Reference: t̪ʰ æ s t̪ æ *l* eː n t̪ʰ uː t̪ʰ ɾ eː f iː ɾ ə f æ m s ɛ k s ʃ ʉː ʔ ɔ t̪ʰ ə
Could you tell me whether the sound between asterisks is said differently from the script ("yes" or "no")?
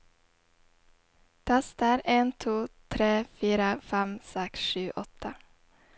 yes